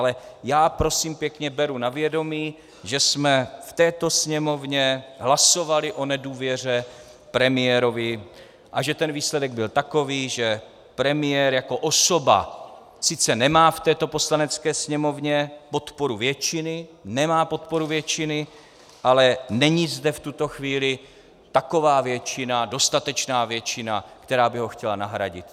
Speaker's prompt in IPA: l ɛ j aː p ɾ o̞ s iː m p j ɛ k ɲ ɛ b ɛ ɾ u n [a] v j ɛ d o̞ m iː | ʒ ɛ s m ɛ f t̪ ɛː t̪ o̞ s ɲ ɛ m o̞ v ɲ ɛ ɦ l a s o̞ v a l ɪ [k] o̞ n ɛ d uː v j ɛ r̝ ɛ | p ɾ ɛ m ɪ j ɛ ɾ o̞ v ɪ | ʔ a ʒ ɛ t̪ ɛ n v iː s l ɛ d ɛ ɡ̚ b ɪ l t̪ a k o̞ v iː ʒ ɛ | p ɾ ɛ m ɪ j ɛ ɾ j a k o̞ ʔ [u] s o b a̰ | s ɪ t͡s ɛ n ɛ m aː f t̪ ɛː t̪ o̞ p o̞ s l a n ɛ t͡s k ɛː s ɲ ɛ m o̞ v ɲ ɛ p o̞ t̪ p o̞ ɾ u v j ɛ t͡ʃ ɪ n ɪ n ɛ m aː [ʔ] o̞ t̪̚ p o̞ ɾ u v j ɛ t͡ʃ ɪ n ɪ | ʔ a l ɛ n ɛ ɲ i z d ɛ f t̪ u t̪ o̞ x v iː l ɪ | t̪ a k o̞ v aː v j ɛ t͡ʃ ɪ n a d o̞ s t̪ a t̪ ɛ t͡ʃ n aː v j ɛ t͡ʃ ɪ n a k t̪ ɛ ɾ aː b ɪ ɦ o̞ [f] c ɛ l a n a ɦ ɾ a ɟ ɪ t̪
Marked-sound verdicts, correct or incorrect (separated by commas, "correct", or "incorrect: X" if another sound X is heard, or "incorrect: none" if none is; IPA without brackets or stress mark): correct, incorrect: ʔ, incorrect: o, incorrect: p, incorrect: x